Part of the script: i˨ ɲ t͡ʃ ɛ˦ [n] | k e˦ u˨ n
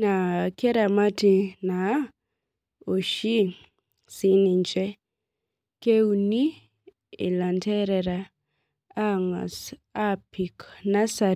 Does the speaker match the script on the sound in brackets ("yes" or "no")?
no